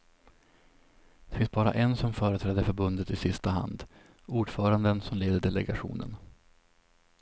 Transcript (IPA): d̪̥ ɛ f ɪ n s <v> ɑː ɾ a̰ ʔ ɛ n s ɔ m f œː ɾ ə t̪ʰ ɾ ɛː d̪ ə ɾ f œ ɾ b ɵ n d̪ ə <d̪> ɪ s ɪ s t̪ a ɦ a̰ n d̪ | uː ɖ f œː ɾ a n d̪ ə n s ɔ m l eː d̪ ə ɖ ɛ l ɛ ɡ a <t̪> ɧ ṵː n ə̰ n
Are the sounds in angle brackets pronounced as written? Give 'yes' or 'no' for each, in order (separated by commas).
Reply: no, no, no